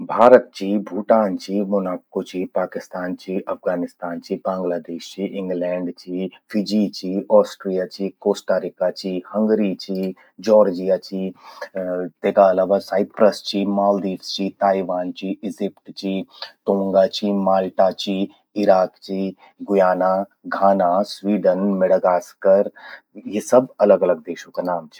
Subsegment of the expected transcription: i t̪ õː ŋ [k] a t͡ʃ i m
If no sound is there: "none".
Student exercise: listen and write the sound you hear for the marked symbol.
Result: ɡ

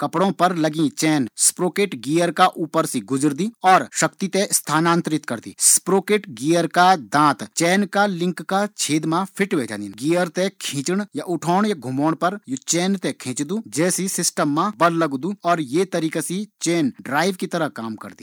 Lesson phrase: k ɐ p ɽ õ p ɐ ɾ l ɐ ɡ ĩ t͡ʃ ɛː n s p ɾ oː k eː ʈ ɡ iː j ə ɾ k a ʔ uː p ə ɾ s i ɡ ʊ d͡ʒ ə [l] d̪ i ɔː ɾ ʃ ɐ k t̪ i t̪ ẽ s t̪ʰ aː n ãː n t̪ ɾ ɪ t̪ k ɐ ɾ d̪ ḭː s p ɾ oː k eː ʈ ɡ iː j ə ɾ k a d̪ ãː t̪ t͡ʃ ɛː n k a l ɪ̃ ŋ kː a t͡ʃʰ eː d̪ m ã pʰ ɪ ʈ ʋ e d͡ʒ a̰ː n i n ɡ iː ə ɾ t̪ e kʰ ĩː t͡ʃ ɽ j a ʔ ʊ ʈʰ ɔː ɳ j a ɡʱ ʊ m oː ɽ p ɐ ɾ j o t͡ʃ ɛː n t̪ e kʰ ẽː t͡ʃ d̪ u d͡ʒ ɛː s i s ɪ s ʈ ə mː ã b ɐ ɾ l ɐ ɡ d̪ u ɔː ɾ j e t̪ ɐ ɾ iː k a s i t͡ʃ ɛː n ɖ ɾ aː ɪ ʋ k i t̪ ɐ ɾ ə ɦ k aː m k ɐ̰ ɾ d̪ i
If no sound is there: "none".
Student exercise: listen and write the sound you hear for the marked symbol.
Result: ɾ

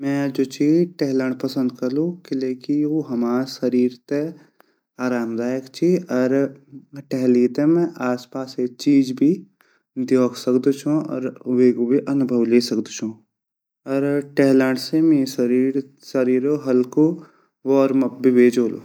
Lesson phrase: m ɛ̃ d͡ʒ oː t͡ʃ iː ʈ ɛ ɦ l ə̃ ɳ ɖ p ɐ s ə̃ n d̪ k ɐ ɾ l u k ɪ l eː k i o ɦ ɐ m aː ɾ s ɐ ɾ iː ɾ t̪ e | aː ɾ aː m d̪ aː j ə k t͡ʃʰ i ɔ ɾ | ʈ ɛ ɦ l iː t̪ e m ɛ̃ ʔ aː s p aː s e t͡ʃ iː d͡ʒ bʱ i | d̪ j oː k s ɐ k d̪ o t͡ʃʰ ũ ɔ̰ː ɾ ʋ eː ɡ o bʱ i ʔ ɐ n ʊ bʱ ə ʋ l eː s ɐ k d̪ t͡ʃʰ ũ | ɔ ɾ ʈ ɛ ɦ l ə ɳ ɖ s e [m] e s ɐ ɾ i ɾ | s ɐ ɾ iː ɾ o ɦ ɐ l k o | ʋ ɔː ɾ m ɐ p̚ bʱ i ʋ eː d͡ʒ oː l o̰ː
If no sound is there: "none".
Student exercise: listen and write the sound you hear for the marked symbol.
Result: m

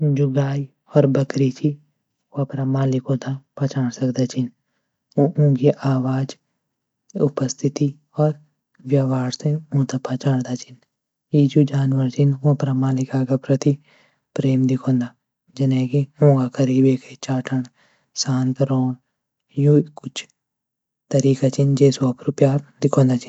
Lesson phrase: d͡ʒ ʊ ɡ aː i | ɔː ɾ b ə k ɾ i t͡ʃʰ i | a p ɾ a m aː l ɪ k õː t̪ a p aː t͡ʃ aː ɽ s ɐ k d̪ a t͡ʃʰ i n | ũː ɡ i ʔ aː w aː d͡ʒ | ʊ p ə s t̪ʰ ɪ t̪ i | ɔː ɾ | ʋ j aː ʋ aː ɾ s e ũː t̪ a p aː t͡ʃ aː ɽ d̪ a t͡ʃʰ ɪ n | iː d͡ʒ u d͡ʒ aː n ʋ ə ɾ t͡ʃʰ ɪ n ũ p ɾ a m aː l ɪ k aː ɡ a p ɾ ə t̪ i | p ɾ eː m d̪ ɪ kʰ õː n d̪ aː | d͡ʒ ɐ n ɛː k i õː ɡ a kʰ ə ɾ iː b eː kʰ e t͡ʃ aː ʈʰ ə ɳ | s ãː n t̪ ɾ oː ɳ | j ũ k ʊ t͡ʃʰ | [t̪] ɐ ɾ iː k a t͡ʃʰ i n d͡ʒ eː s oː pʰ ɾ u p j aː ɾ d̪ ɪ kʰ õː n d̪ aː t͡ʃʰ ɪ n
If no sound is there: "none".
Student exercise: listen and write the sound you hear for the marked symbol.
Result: t̪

